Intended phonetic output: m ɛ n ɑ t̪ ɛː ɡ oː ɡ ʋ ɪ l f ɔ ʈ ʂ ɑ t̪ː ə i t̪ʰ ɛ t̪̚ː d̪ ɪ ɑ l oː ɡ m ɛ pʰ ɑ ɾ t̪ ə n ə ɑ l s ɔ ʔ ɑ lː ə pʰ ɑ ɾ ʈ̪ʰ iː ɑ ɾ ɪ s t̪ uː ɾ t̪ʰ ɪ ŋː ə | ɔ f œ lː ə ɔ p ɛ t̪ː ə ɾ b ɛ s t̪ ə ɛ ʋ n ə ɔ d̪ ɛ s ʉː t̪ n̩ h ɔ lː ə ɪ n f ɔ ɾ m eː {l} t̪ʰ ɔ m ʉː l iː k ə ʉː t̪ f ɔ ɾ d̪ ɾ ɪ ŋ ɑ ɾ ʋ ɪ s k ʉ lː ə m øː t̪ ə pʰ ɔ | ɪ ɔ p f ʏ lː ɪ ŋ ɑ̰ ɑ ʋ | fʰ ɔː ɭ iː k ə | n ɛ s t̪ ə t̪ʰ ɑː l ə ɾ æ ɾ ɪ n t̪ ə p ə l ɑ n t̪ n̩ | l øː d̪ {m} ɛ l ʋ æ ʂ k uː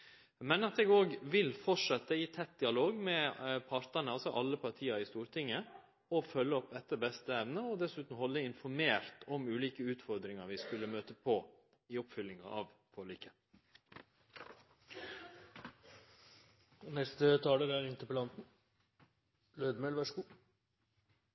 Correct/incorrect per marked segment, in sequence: incorrect: ɾ, correct

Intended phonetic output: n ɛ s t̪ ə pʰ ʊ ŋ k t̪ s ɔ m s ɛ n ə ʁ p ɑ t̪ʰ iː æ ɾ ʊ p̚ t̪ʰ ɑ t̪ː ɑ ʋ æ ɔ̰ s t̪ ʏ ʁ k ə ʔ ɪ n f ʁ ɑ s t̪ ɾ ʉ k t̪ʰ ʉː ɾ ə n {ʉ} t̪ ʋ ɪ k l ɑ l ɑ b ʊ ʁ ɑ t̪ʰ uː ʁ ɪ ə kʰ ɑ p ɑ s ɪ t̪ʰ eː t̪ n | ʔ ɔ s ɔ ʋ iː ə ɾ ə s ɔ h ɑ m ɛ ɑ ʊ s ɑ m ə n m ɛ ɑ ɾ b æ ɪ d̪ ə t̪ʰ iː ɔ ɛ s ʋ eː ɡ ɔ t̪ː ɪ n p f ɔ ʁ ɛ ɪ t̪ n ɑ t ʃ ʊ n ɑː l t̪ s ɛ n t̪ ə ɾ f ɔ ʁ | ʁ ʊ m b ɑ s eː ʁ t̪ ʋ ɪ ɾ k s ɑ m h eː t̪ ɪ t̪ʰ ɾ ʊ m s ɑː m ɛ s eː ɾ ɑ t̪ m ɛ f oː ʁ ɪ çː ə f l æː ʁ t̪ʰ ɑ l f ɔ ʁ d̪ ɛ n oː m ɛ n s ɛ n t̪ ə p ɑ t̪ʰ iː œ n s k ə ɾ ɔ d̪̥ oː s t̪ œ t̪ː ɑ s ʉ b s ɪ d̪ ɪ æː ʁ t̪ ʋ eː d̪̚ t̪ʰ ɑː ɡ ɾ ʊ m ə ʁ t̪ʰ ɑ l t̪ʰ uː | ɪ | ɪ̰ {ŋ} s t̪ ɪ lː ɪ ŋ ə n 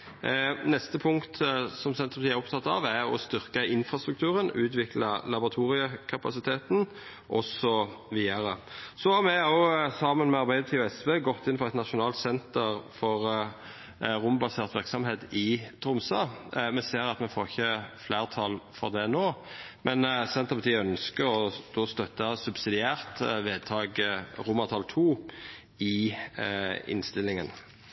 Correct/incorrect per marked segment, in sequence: incorrect: ʉː, incorrect: n

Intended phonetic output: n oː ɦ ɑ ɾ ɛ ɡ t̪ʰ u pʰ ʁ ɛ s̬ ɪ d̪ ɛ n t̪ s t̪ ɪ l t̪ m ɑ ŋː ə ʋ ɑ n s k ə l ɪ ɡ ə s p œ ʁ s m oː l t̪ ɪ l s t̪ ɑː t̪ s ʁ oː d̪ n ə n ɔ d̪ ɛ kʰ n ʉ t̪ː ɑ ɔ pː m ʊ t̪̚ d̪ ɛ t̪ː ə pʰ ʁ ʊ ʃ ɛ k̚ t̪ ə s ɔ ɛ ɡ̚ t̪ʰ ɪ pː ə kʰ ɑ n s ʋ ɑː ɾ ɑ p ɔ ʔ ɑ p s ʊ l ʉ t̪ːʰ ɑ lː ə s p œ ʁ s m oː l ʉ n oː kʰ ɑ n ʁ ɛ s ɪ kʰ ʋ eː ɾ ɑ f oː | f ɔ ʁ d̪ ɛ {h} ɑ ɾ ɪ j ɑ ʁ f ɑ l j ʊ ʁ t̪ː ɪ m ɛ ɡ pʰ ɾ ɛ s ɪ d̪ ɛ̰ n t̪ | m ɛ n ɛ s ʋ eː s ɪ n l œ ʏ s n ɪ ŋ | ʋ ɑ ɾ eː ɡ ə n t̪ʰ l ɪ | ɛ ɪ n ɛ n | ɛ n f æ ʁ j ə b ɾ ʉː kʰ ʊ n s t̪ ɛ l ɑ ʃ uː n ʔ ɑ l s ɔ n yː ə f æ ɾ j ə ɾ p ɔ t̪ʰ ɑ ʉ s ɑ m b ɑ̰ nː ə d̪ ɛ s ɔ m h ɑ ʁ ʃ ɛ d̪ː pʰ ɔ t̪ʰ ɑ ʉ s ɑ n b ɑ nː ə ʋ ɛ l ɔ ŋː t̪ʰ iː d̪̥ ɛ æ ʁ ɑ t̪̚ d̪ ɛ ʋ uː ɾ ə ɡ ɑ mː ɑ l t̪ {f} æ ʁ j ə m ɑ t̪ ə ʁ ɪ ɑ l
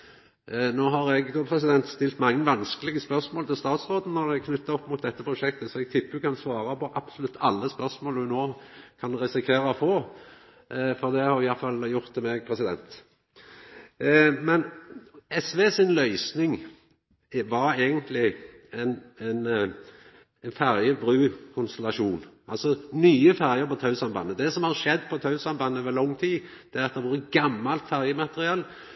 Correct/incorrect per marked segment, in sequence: correct, correct

